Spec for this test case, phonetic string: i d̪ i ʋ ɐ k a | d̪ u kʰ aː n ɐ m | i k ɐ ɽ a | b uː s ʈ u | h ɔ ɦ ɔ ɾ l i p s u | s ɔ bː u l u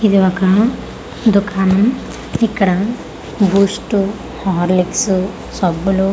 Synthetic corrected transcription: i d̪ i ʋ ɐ k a | d̪ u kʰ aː n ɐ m | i k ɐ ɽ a | b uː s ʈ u | h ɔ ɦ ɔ ɾ l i k s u | s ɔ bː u l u

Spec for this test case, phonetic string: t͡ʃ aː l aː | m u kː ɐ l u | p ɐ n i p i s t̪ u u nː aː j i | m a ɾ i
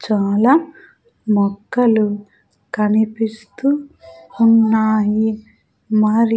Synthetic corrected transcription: t͡ʃ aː l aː | m ɔ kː ɐ l u | k ɐ n i p i s t̪ u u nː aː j i | m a ɾ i

